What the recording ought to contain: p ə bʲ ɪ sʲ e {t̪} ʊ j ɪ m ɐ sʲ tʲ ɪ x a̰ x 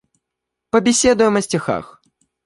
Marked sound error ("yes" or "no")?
yes